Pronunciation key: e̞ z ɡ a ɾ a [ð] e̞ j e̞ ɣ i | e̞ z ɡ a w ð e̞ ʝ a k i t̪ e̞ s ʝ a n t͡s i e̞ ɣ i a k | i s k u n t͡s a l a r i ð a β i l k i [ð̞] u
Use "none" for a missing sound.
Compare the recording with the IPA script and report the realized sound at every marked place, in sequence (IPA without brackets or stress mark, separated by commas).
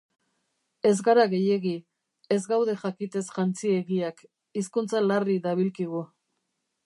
ɣ, ɣ̞